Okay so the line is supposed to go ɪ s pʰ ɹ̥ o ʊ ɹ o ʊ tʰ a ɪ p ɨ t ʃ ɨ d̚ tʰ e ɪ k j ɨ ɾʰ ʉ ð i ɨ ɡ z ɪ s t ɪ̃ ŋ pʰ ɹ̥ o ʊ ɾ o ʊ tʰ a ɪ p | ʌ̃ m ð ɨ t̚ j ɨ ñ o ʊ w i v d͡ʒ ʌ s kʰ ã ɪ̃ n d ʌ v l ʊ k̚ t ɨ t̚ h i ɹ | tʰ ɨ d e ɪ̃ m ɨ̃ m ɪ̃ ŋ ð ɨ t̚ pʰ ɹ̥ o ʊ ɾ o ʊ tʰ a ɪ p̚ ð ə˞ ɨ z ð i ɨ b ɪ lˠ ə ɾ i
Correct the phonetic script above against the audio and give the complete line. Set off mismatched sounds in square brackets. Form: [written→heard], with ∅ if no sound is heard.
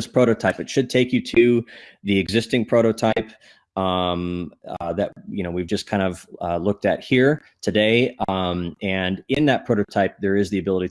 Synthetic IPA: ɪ s pʰ ɹ̥ o ʊ [ɹ→ɾ] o ʊ tʰ a ɪ p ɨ t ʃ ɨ d̚ tʰ e ɪ k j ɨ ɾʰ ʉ ð i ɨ ɡ z ɪ s t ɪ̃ ŋ pʰ ɹ̥ o ʊ ɾ o ʊ tʰ a ɪ p | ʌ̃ m ð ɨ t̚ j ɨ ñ o ʊ w i v d͡ʒ ʌ s kʰ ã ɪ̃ n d ʌ v l ʊ k̚ t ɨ t̚ h i ɹ | tʰ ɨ d e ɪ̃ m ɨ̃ [m→n] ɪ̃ [ŋ→n] ð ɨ t̚ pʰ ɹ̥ o ʊ ɾ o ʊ tʰ a ɪ p̚ ð ə˞ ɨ z ð i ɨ b ɪ lˠ ə ɾ i